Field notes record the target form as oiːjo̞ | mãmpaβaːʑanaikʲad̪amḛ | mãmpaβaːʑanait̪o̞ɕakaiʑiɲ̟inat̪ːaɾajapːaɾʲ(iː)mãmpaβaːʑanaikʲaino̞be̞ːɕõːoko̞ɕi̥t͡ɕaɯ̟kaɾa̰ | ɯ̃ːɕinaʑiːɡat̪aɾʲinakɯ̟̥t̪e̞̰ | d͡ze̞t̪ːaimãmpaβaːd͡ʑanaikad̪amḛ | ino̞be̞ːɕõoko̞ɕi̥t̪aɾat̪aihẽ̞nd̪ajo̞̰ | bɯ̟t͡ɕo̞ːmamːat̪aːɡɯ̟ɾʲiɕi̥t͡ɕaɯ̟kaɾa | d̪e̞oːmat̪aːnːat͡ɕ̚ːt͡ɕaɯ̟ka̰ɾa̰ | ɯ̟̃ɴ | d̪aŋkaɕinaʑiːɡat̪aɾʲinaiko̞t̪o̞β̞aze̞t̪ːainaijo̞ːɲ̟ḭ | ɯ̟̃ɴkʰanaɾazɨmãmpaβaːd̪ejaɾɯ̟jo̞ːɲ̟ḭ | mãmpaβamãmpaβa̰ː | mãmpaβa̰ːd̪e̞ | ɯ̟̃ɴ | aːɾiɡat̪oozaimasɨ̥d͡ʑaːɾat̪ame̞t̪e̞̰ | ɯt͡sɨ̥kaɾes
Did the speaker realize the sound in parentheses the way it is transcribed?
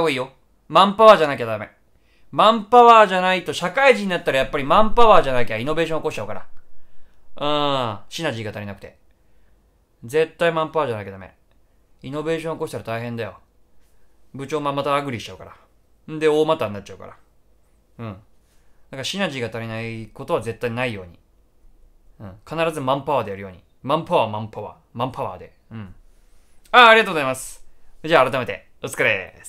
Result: no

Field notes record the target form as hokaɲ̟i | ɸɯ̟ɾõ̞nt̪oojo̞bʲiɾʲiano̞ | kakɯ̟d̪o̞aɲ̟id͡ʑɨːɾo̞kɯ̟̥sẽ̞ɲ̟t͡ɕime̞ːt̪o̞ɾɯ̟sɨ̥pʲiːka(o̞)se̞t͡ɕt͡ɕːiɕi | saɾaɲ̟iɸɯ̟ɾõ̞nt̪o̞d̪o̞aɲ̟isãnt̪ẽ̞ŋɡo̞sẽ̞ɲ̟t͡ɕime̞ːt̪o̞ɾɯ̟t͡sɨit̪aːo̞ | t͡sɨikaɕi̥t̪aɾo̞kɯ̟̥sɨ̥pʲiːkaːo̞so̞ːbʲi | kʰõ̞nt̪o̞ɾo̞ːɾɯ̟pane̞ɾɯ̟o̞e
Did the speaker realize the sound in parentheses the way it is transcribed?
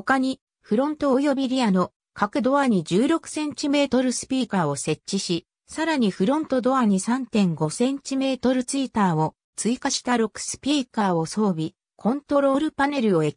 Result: yes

